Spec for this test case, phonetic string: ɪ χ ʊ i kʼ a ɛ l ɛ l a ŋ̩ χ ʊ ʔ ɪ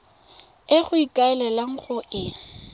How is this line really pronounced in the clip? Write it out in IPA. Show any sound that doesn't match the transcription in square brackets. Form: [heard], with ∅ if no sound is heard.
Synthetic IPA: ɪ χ ʊ i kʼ a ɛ l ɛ l a ŋ̩ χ ʊ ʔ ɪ

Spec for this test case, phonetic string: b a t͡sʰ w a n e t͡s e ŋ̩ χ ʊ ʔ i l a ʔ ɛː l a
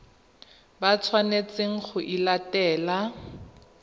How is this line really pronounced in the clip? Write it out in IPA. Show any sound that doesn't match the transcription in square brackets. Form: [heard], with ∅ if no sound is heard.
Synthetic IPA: b a t͡sʰ w a n e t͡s e ŋ̩ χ ʊ ʔ i l a [t] ɛː l a

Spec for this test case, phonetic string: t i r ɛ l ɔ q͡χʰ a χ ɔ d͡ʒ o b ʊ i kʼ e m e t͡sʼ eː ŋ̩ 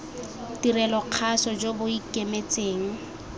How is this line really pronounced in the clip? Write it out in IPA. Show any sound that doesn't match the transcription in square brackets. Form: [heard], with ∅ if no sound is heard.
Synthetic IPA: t i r ɛ l ɔ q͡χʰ a [s] ɔ d͡ʒ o b ʊ i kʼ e m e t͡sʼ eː ŋ̩

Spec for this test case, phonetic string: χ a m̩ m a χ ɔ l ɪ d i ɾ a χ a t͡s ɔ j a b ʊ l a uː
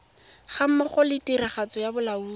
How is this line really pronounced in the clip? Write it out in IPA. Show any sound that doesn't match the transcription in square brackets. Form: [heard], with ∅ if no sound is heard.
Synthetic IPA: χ a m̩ m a χ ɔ l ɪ [t] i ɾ a χ a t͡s ɔ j a b ʊ l a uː

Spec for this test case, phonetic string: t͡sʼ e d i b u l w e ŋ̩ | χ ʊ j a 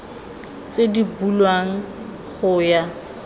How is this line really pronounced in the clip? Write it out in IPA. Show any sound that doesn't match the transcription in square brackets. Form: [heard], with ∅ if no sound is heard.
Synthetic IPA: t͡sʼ e d i b u l w [a] ŋ̩ | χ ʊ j a

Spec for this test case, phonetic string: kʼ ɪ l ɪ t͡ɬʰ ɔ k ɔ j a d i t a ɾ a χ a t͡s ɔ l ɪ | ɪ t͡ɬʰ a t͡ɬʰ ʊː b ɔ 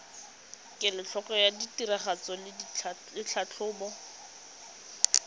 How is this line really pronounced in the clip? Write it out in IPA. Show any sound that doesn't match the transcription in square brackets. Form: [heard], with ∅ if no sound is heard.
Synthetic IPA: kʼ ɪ l ɪ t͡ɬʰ ɔ k ɔ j a d i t [i] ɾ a χ a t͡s ɔ l ɪ | ɪ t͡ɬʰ a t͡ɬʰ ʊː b ɔ

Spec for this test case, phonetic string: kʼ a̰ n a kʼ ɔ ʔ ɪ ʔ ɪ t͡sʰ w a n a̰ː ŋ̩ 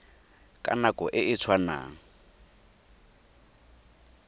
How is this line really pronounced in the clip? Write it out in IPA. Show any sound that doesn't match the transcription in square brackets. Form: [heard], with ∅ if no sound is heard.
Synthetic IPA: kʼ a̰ n a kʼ ɔ ʔ ɪ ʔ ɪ t͡sʰ w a n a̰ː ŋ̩

